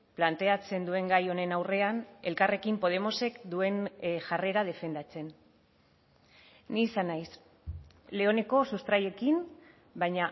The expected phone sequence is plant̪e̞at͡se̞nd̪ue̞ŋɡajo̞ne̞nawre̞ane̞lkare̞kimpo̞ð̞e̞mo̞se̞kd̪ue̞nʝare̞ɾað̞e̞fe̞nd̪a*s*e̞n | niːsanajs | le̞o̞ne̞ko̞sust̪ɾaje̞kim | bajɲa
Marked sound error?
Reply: yes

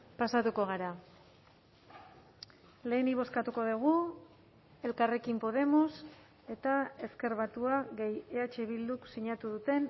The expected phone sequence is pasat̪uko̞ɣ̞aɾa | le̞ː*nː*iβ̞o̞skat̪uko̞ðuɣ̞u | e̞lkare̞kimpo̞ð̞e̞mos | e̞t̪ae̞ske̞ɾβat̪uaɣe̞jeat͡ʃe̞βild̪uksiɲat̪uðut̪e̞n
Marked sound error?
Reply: yes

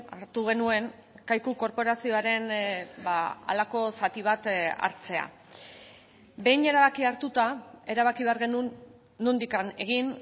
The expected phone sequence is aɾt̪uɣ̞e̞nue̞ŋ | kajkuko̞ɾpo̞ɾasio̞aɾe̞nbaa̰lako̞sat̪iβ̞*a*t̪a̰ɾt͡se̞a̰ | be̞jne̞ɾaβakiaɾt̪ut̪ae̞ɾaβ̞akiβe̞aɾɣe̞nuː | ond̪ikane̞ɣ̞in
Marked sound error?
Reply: no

